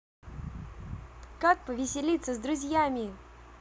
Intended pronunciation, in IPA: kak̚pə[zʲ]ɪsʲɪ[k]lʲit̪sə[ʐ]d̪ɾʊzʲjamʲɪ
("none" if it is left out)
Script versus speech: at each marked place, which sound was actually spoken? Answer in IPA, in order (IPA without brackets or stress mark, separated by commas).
vʲ, none, z